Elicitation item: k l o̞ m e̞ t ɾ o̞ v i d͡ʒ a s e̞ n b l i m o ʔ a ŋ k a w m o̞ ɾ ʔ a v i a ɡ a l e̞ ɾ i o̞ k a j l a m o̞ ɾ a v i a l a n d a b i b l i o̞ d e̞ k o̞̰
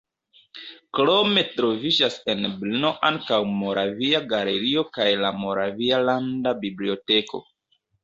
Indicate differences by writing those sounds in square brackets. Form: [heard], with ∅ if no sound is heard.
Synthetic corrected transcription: k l o̞ m e̞ t ɾ o̞ v i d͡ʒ a s e̞ n b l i [n] o ʔ a ŋ k a w m o̞ ɾ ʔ a v i a ɡ a l e̞ ɾ i o̞ k a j l a m o̞ ɾ a v i a l a n d a b i b l i o̞ [t] e̞ k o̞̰